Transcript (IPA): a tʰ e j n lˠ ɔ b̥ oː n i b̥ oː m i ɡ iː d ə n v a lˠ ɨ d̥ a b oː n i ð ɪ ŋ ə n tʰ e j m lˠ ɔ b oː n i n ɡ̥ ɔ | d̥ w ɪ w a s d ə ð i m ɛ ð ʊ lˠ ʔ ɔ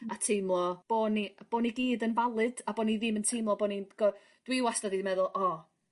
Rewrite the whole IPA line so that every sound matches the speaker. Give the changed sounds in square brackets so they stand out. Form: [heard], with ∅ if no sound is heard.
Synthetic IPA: a tʰ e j [m] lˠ ɔ b̥ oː n i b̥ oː [n] i ɡ iː d ə n v a lˠ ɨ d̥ a b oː n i ð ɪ [m] ə n tʰ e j m lˠ ɔ b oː n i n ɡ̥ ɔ | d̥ w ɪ w a s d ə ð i m ɛ ð ʊ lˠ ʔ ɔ